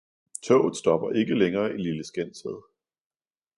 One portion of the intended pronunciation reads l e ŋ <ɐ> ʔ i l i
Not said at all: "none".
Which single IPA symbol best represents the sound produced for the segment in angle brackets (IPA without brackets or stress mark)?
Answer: ɐː